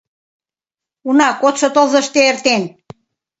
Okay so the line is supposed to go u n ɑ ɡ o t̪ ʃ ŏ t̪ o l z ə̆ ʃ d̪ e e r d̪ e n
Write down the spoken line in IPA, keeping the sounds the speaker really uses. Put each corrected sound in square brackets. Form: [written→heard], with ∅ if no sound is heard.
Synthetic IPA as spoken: u n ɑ [ɡ→k] o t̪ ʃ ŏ t̪ o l z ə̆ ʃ [d̪→t̪] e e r [d̪→t̪] e n